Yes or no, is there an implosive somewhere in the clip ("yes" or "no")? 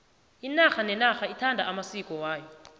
no